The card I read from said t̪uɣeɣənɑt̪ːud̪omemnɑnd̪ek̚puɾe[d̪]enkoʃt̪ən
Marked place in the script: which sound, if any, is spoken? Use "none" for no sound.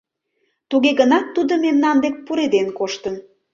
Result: d̪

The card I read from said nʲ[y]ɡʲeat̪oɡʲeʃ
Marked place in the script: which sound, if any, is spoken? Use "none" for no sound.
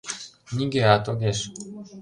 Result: i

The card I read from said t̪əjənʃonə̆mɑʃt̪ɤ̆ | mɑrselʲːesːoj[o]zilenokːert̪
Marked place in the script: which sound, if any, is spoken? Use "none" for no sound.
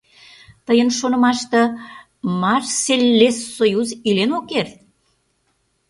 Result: u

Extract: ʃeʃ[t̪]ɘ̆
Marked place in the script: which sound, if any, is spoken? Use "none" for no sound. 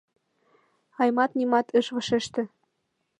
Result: t̪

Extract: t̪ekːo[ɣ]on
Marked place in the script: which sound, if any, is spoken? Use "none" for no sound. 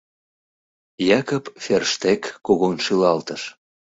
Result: ɣ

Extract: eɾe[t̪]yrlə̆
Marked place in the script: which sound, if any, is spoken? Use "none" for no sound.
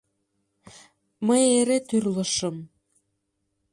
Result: t̪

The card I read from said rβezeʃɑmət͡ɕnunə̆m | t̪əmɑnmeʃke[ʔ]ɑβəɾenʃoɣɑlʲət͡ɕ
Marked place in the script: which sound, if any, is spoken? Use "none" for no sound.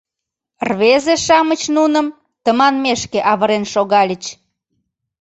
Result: ʔ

